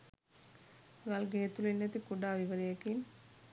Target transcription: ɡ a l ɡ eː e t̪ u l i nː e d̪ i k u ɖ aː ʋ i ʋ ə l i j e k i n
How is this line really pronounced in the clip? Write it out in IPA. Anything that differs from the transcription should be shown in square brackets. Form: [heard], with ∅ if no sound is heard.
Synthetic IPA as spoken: ɡ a l ɡ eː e t̪ u l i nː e [t̪] i k u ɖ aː ʋ i ʋ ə [ɾ] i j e k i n